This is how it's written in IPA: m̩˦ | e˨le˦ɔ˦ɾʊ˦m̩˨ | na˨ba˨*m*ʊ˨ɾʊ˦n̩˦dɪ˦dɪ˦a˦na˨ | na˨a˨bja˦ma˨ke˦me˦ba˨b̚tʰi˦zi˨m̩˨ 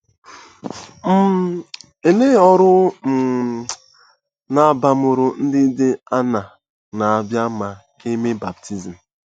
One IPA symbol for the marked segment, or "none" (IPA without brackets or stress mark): m